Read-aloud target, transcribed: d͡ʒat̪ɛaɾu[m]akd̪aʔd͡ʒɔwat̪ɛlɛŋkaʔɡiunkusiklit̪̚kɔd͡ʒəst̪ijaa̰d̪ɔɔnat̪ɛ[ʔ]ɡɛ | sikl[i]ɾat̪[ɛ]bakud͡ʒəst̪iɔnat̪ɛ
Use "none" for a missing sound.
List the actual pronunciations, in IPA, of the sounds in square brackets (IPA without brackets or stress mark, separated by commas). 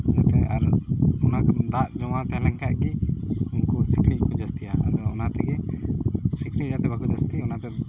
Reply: n, none, i, ɛ